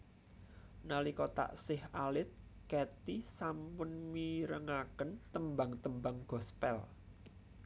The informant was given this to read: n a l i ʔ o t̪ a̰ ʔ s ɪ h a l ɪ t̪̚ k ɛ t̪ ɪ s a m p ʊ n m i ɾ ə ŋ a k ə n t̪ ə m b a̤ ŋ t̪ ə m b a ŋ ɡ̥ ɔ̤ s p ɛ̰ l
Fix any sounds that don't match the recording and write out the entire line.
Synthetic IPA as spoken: n a l i k o t̪ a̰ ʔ s ɪ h a l ɪ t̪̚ k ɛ t̪ i s a m p ʊ n m i ɾ ə ŋ a k ə n t̪ ə m b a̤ ŋ t̪ ə m b a ŋ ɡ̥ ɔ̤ s p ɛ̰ l